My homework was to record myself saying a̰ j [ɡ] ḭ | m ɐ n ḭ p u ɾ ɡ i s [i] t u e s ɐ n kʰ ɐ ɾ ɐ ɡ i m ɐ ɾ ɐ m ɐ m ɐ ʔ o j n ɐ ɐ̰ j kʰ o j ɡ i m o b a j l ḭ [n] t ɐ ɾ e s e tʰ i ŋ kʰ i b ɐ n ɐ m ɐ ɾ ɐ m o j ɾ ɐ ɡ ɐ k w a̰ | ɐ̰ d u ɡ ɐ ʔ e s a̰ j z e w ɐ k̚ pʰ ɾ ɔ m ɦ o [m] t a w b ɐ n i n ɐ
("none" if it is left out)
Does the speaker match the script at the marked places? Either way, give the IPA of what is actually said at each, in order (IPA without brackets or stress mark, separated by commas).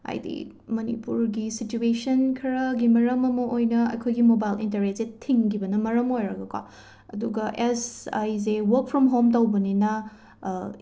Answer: d, i, n, m